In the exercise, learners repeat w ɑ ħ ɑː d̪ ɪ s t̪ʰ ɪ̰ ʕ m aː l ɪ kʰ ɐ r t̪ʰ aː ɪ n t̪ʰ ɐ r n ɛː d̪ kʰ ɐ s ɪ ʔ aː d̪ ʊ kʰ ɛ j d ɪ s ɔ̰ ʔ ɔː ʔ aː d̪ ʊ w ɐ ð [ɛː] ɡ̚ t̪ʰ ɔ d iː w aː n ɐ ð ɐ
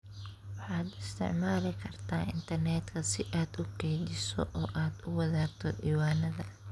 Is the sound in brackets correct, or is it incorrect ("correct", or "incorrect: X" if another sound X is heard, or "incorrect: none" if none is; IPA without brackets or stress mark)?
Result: incorrect: aː